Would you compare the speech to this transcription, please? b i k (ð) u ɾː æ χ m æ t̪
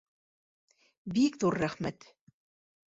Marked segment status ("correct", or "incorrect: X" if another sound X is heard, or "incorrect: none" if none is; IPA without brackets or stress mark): correct